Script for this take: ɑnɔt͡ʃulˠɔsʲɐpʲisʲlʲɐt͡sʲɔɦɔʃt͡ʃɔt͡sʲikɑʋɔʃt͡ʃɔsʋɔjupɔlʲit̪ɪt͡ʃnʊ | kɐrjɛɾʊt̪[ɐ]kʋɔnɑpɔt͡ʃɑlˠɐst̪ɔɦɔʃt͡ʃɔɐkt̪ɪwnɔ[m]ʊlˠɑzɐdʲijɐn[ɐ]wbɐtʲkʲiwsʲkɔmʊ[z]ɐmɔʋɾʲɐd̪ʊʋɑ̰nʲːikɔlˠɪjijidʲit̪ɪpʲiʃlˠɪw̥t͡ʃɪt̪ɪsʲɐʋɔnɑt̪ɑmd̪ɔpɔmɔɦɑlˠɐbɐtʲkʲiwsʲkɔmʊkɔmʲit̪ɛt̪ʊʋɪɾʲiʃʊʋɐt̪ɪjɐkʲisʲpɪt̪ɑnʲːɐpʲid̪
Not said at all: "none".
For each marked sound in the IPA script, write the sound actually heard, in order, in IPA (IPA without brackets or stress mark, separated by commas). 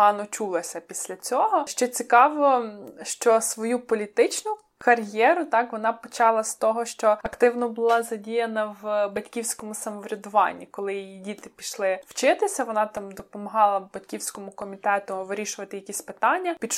ɑ, b, ɐ, s